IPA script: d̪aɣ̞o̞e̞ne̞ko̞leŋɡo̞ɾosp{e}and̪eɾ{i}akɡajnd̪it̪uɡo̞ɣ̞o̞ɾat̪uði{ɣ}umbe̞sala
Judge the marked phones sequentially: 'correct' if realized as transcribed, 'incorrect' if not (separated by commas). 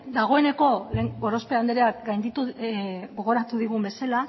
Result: correct, incorrect, correct